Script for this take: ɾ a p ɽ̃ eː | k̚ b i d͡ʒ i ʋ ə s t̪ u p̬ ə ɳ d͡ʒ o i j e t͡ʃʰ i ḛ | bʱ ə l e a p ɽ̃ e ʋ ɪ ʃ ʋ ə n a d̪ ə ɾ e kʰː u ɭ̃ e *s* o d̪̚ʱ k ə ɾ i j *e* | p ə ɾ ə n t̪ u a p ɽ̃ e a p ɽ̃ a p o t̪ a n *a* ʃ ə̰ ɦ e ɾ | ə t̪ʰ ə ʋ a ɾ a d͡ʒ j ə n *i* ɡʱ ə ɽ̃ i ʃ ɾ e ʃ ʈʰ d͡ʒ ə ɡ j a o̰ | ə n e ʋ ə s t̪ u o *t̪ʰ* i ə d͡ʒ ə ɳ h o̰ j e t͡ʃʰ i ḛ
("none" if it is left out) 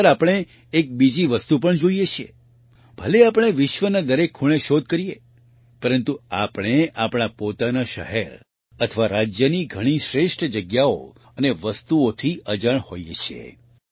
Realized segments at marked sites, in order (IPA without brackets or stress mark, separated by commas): ʃ, e, a, i, t̪ʰ